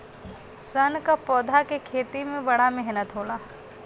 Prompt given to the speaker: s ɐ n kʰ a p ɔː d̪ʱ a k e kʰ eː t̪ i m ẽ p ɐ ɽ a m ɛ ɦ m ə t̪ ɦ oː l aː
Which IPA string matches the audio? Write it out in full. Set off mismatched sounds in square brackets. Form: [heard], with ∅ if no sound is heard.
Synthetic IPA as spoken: s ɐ n [k] a p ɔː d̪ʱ a k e kʰ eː t̪ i m ẽ [b] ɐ ɽ a m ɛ ɦ [n] ə t̪ ɦ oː l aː